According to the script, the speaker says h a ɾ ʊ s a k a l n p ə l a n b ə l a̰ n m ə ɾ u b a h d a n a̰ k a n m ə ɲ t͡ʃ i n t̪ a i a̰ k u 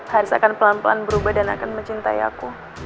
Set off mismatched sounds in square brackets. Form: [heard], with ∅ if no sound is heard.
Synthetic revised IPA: h a ɾ ʊ s a k a [∅] n p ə l a n [p] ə l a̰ n [b] ə ɾ u b a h d a n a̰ k a n m ə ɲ t͡ʃ i n t̪ a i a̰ k u